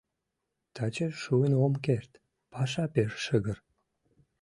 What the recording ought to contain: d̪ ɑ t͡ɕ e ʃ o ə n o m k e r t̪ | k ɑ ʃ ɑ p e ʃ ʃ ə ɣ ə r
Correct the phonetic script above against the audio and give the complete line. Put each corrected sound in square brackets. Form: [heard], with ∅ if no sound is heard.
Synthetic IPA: [t̪] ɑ t͡ɕ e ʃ [u] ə n o m k e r t̪ | [p] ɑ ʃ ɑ p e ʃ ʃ ə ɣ ə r